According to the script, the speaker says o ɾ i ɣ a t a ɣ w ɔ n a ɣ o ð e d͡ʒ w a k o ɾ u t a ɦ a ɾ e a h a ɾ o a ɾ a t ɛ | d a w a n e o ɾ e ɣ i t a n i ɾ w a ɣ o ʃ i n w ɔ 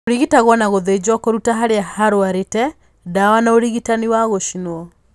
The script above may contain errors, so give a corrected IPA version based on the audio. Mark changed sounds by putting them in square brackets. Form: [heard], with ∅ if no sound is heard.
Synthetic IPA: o ɾ i ɣ [i] t a ɣ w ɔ n a ɣ o ð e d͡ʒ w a k o ɾ u t a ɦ a ɾ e a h a ɾ o a ɾ [e] t ɛ | d a w a n [a] o ɾ [i] ɣ i t a n i [∅] w a ɣ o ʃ i n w ɔ